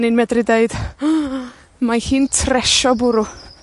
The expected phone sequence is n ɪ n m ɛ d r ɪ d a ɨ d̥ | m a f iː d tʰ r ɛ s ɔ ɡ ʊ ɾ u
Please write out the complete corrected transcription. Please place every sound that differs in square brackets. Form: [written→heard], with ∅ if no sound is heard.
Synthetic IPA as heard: n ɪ n m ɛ d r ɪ d [a→e] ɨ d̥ | m a [f→h] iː [d→n] tʰ r ɛ [s→ʃ] ɔ [ɡ→b] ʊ ɾ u